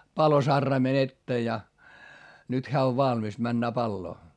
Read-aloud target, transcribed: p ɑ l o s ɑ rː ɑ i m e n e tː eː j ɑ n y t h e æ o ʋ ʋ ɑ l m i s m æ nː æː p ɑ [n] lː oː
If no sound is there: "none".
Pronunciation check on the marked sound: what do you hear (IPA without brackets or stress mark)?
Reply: none